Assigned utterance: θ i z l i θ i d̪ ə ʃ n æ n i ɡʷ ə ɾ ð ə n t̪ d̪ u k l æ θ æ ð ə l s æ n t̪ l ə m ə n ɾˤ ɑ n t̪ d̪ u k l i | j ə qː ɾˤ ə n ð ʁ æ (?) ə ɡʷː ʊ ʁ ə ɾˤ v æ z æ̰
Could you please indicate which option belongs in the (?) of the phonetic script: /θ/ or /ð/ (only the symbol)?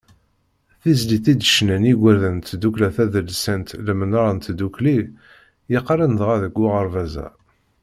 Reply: ð